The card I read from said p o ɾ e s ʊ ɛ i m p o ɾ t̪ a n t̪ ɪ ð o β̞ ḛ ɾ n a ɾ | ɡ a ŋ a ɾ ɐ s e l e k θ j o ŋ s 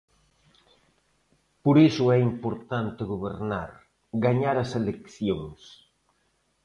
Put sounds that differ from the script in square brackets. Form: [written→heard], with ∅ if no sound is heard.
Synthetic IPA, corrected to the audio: p o ɾ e s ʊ ɛ i m p o ɾ t̪ a n t̪ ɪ [ð→ɣ] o β̞ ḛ ɾ n a ɾ | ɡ a [ŋ→ɲ] a ɾ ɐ s e l e k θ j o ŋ s

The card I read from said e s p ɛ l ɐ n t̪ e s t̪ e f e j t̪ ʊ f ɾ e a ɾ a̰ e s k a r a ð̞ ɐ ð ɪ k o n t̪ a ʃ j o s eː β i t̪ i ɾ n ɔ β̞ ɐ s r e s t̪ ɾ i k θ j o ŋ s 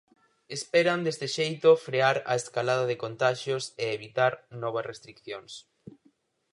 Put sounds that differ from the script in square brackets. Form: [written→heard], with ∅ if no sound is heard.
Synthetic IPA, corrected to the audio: e s p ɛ [l→ɾ] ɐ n [t̪→d̪] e s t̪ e [f→ʃ] e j t̪ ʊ f ɾ e a ɾ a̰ e s k a [r→l] a ð̞ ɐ ð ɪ k o n t̪ a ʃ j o s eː β i t̪ [i→a] ɾ n ɔ β̞ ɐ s r e s t̪ ɾ i k θ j o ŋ s

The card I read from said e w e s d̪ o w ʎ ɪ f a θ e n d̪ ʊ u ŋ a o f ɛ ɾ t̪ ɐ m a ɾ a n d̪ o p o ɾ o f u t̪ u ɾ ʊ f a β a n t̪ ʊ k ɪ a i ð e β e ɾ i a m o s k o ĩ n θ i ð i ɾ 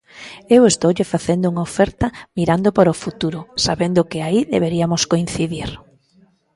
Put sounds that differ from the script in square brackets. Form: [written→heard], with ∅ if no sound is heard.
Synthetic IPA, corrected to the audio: e w e s [d̪→t̪] o w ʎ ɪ f a θ e n d̪ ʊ u ŋ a o f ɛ ɾ t̪ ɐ m [a→i] ɾ a n d̪ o p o ɾ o f u t̪ u ɾ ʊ [f→s] a β [a→e] n [t̪→d̪] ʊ k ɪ a i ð e β e ɾ i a m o s k o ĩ n θ i ð i ɾ

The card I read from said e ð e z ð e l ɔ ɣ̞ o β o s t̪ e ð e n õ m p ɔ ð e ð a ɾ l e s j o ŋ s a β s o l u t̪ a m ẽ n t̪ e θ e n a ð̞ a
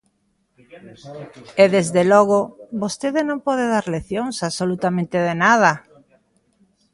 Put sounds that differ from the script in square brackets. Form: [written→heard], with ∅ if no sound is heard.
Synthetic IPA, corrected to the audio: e ð e z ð e l ɔ ɣ̞ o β o s t̪ e ð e n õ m p ɔ ð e ð a ɾ l e [s→θ] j o ŋ s a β s o l u t̪ a m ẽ n t̪ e [θ→ð] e n a ð̞ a

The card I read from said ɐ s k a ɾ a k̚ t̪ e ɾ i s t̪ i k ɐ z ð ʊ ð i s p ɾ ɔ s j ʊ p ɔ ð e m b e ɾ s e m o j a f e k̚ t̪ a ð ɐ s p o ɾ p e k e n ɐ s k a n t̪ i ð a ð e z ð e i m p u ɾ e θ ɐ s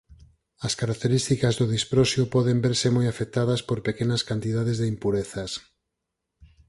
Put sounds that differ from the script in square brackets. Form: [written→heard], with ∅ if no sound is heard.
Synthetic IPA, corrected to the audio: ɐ s k a ɾ a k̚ t̪ e ɾ i s t̪ i k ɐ z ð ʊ ð i s p ɾ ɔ s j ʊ p ɔ ð e m b e ɾ s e m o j a f e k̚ t̪ a ð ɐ s p o ɾ p e k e n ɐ s k a n t̪ i ð a ð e z ð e i m p u ɾ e θ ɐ s

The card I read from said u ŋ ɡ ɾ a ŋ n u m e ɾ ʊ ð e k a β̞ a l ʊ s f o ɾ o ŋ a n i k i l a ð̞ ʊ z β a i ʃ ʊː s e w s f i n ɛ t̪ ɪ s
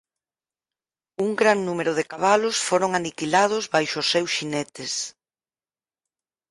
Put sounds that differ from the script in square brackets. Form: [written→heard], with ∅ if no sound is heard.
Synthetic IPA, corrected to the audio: u ŋ ɡ ɾ a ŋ n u m e ɾ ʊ ð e k a β̞ a l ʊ s f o ɾ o ŋ a n i k i l a ð̞ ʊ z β a [i→j] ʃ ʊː s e w s [f→ʃ] i n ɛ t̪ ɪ s

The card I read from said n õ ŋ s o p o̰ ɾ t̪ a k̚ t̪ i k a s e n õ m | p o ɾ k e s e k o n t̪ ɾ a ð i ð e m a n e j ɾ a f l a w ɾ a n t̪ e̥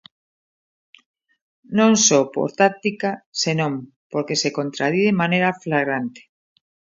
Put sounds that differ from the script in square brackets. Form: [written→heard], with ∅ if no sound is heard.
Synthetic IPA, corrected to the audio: n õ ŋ s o p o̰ ɾ t̪ a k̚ t̪ i k a s e n õ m | p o ɾ k e s e k o n t̪ ɾ a ð i ð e m a n e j ɾ a f l a [w→ɣ] ɾ a n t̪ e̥

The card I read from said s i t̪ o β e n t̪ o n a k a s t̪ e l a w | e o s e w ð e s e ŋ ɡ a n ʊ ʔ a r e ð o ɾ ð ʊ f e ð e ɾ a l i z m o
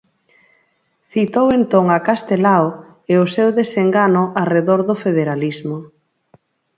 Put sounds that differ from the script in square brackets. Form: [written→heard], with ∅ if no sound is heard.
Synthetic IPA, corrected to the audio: [s→θ] i t̪ o [β→w] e n t̪ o [n→ŋ] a k a s t̪ e l a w | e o s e w ð e s e ŋ ɡ a n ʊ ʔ a r e ð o ɾ ð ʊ f e ð e ɾ a l i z m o

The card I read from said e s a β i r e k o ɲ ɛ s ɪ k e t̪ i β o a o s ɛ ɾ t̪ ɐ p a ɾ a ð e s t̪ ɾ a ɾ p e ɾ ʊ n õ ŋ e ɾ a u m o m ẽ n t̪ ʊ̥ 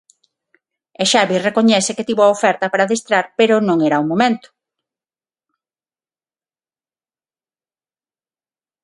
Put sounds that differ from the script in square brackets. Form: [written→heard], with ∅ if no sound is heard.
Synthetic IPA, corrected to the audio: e [s→ʃ] a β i r e k o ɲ ɛ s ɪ k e t̪ i β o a o [s→f] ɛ ɾ t̪ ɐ p a ɾ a ð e s t̪ ɾ a ɾ p e ɾ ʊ n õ ŋ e ɾ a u m o m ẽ n t̪ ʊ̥

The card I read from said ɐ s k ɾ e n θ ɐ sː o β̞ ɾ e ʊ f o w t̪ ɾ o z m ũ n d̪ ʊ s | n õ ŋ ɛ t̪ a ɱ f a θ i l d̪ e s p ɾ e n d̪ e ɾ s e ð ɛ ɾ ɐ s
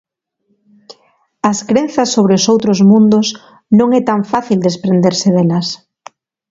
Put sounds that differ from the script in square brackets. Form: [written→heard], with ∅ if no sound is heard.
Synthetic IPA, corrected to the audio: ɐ s k ɾ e n θ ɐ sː o β̞ ɾ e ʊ [f→s] o w t̪ ɾ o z m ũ n d̪ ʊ s | n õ ŋ ɛ t̪ a ɱ f a θ i l d̪ e s p ɾ e n d̪ e ɾ s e ð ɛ [ɾ→l] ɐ s

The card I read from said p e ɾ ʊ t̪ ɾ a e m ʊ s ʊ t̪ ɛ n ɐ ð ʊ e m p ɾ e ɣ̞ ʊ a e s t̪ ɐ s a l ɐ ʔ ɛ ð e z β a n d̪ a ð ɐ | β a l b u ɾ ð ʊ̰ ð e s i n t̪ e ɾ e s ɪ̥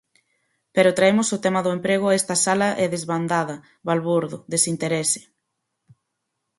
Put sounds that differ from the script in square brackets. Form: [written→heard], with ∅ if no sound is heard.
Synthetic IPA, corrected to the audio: p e ɾ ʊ t̪ ɾ a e m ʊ s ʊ t̪ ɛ [n→m] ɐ ð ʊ e m p ɾ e ɣ̞ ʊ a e s t̪ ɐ s a l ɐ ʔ ɛ ð e z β a n d̪ a ð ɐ | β a l [b→β] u ɾ ð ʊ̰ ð e s i n t̪ e ɾ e s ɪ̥

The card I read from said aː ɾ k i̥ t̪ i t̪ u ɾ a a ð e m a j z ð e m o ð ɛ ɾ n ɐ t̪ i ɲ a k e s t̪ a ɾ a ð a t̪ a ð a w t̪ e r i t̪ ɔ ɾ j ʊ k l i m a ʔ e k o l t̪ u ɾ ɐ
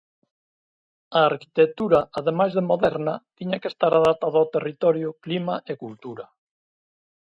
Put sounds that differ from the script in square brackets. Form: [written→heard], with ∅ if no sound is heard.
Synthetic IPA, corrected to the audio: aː ɾ k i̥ t̪ [i→e] t̪ u ɾ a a ð e m a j z ð e m o ð ɛ ɾ n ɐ t̪ i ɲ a k e s t̪ a ɾ a ð a t̪ a ð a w t̪ e r i t̪ ɔ ɾ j ʊ k l i m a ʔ e k [o→u] l t̪ u ɾ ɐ

